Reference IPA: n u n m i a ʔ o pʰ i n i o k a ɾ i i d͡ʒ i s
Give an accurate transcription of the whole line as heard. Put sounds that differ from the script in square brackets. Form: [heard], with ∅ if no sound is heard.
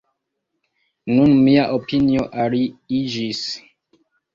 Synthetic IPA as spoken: n u n m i a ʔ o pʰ i n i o [ʔ] a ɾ i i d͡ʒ i s